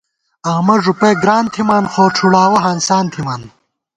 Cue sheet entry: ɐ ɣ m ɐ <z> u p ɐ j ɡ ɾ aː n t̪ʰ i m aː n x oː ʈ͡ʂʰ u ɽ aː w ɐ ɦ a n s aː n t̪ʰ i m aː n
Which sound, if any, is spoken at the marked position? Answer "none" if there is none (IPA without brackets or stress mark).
ʐ